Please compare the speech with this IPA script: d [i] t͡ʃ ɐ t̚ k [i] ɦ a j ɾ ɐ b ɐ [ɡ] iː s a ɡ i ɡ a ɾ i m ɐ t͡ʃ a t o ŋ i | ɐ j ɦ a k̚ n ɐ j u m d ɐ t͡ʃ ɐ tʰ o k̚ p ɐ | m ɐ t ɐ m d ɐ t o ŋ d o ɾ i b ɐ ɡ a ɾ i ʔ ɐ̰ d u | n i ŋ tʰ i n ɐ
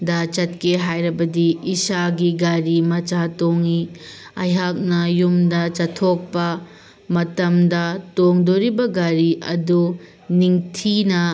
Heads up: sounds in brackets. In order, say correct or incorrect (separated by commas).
incorrect, incorrect, incorrect